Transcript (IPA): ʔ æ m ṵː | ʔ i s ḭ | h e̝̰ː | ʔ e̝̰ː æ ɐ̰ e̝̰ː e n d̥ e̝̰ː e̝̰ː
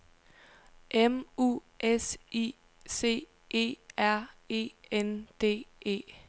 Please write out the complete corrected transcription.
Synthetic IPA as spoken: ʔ e m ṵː | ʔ e s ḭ | s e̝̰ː | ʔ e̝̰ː æ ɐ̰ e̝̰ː e n d̥ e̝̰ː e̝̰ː